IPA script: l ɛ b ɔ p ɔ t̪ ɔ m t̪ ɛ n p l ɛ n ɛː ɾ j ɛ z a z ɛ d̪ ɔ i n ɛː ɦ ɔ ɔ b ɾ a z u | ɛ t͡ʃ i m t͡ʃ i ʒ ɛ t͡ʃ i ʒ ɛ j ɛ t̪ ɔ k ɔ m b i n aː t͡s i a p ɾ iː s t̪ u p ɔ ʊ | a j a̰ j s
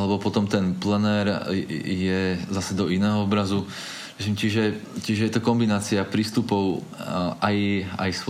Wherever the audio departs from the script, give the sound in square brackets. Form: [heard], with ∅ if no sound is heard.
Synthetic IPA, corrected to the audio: l ɛ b ɔ p ɔ t̪ ɔ m t̪ ɛ n p l ɛ n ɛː ɾ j ɛ z a [s] ɛ d̪ ɔ i n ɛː ɦ ɔ ɔ b ɾ a z u | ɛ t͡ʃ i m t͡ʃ i ʒ ɛ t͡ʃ i ʒ ɛ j ɛ t̪ ɔ k ɔ m b i n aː t͡s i a p ɾ iː s t̪ u p ɔ ʊ | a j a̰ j s